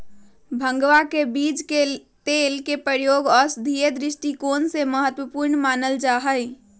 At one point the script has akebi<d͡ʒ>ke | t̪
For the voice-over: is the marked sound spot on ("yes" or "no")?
yes